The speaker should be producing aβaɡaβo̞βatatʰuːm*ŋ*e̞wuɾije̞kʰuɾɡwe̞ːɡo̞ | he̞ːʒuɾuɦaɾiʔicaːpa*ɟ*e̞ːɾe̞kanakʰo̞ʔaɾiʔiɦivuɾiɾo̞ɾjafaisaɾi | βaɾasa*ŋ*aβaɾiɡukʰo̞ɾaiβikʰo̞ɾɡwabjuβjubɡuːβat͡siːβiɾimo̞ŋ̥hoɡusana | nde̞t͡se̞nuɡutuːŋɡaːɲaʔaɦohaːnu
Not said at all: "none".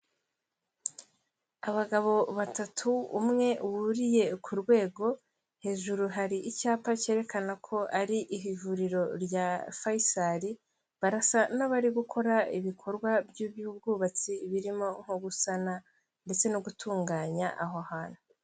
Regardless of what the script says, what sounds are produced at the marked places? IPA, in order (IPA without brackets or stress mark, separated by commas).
ŋ, c, n